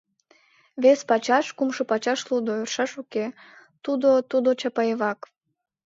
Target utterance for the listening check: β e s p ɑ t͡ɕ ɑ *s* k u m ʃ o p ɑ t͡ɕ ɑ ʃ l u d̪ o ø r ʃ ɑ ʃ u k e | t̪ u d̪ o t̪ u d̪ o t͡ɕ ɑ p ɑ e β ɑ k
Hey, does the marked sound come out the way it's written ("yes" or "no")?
no